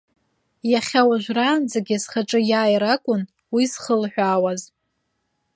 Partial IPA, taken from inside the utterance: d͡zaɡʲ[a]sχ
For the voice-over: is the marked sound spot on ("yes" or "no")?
yes